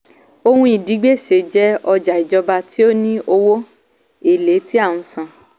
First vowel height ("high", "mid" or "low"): mid